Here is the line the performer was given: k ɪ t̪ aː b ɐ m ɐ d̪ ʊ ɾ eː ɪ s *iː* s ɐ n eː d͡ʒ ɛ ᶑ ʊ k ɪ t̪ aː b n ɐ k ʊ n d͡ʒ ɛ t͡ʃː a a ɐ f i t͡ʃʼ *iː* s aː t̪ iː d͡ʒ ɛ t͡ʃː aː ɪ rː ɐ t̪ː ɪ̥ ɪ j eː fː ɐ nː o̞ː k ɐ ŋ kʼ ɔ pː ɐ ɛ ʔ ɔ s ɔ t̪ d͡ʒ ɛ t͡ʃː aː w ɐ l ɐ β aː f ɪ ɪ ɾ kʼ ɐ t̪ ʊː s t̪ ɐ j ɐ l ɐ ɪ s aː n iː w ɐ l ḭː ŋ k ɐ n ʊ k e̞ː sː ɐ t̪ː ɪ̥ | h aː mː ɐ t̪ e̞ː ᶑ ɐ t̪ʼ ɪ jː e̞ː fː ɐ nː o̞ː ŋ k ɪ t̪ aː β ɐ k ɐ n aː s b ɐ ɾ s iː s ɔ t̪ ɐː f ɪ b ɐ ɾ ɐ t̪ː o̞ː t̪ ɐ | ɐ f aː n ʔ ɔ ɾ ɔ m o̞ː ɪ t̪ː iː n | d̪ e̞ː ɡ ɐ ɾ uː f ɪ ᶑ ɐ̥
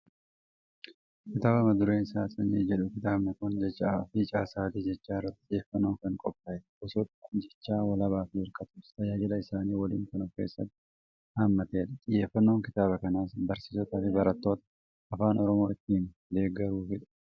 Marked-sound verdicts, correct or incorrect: incorrect: aː, incorrect: aː

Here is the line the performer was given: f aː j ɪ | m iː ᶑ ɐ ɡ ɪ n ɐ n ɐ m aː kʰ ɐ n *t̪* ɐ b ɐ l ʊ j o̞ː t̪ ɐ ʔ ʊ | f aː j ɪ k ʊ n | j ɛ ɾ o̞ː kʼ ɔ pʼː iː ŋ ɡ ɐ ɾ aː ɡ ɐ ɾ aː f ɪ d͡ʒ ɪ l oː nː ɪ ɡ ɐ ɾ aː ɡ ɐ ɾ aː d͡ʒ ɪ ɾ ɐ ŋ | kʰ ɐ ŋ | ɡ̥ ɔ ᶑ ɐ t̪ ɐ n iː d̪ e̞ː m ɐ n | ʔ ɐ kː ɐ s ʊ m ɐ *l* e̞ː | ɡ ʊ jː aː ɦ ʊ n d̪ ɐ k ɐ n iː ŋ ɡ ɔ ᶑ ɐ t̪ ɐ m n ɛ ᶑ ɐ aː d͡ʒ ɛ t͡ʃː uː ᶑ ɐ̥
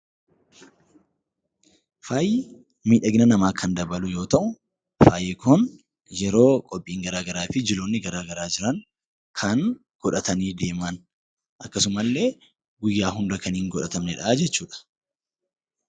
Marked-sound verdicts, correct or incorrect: incorrect: d̪, incorrect: lː

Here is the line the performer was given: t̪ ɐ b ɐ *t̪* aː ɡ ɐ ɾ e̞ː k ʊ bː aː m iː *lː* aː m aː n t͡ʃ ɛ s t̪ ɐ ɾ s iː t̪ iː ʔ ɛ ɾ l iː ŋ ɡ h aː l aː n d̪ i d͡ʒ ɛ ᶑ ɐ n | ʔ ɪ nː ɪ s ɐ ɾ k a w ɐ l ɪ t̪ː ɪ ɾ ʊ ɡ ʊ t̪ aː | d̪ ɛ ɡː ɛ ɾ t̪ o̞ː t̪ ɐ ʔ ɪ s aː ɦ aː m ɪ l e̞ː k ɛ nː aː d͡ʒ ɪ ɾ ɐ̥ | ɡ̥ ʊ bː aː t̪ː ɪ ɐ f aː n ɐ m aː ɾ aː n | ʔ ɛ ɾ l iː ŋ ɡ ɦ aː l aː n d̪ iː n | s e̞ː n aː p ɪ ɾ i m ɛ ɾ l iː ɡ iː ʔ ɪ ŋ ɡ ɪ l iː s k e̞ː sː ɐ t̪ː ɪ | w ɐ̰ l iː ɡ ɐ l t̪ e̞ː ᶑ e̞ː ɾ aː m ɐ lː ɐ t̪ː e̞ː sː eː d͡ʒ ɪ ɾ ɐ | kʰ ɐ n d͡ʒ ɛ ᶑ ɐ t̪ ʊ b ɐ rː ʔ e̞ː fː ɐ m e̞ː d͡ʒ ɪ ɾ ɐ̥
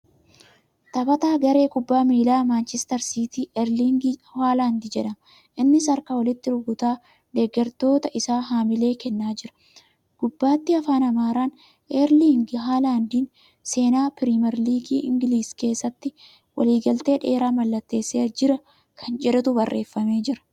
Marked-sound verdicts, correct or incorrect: correct, incorrect: l

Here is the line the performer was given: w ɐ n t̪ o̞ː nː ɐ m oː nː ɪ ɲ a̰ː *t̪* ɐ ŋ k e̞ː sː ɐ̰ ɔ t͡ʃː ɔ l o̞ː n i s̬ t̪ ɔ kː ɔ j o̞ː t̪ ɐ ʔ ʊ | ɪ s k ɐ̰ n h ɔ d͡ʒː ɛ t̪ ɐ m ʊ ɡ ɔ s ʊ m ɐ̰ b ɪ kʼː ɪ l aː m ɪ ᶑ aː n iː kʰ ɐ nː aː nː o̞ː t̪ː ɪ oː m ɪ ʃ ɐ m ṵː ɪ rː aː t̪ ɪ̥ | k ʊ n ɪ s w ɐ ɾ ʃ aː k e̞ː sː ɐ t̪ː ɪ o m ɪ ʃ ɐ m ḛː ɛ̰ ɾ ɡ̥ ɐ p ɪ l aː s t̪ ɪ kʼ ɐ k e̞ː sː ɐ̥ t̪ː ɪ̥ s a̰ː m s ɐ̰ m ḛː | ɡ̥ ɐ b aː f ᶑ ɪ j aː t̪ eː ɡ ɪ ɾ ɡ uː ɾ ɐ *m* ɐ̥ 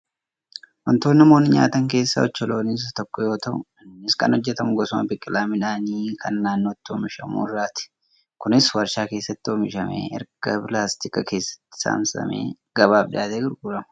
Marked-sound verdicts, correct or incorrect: correct, correct

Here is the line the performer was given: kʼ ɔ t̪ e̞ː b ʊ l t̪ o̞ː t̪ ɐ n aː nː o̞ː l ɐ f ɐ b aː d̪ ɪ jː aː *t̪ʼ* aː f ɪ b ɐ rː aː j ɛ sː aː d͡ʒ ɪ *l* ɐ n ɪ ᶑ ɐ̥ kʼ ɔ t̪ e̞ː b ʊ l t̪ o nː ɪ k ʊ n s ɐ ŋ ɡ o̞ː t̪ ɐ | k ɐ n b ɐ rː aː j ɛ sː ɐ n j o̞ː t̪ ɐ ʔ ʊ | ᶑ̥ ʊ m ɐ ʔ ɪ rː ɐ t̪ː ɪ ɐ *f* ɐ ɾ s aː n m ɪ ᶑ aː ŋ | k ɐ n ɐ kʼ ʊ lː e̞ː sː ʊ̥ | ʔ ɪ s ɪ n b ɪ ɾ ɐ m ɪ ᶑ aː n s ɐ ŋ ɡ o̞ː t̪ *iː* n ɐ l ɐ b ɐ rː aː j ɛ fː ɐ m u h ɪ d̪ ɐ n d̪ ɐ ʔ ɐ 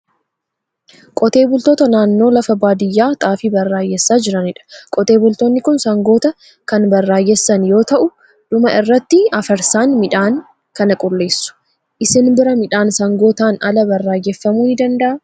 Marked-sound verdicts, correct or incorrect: correct, incorrect: ɾ, correct, incorrect: aː

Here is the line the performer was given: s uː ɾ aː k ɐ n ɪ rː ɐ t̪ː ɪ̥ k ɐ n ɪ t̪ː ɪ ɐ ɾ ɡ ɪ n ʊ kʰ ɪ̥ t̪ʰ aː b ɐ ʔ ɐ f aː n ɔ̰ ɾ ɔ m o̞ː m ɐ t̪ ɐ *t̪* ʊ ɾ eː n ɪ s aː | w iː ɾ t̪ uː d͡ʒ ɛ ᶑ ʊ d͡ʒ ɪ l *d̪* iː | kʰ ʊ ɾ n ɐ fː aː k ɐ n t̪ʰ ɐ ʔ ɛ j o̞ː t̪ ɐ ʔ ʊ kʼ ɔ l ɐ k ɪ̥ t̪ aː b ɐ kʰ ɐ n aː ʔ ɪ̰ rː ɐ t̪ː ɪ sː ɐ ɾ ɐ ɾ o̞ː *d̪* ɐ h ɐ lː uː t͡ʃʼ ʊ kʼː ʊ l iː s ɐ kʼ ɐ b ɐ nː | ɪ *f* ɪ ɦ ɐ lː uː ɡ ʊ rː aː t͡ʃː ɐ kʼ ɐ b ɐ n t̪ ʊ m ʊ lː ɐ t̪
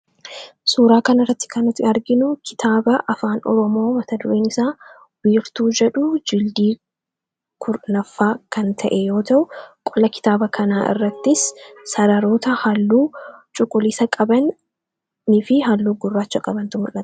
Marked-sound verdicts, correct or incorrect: incorrect: d̪, correct, incorrect: t̪, correct

